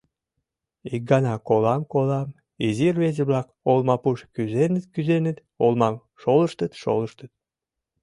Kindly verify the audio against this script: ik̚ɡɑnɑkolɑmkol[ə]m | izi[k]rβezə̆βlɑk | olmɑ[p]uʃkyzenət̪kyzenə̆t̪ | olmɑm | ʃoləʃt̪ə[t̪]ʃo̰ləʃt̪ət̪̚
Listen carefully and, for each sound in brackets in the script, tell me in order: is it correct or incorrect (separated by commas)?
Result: incorrect, incorrect, correct, correct